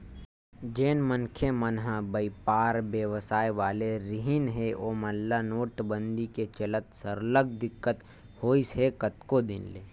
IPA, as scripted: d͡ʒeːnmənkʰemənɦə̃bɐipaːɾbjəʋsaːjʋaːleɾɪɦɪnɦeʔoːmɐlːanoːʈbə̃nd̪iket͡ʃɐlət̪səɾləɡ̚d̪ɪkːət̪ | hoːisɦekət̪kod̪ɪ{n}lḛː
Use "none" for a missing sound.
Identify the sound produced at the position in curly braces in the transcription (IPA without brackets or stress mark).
n